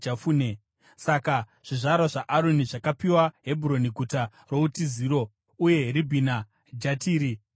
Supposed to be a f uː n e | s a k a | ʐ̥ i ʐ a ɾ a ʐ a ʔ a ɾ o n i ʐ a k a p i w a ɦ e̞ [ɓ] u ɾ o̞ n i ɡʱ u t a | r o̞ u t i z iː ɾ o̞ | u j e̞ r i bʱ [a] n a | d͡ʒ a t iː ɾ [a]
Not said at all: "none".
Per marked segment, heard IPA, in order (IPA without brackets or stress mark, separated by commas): b, i, i